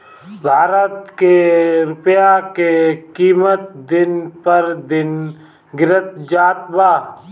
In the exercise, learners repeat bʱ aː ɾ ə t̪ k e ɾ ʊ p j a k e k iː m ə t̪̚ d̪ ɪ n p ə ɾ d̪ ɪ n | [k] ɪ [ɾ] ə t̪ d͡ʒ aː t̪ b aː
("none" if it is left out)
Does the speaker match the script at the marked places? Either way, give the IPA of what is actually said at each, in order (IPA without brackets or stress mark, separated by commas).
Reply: ɡ, ɾ